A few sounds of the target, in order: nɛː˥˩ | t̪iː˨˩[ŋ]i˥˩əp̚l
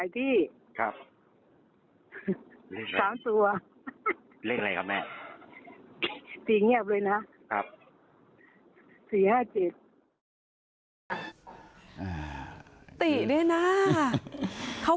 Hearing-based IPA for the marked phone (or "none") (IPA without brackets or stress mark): ŋ